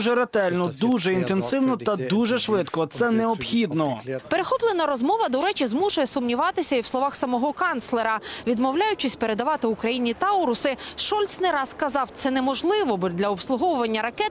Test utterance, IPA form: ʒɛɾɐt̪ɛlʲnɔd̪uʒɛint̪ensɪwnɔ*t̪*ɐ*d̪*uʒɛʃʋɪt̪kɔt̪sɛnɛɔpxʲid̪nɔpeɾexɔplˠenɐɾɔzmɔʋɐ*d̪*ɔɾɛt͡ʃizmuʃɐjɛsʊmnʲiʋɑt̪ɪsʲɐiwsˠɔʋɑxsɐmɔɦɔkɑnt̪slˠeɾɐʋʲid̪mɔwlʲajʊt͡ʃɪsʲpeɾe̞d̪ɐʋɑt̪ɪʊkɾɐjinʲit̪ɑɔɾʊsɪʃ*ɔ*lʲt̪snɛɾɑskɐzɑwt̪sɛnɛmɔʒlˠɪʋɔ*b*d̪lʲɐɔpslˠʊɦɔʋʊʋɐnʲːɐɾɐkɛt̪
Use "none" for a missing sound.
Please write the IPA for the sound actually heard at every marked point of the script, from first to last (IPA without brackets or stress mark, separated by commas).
t̪, d̪, d̪, ɔ, b